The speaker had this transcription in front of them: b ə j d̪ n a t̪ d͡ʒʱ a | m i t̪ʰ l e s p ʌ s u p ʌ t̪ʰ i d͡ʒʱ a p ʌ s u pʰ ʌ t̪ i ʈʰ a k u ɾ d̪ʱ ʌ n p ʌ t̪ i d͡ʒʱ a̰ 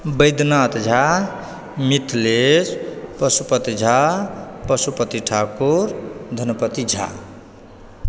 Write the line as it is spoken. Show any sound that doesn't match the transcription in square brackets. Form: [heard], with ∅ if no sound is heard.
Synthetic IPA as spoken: b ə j d̪ n a t̪ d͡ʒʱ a | m i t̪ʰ l e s p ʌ s u p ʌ [t̪] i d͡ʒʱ a p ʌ s u [p] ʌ t̪ i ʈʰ a k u ɾ d̪ʱ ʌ n p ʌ t̪ i d͡ʒʱ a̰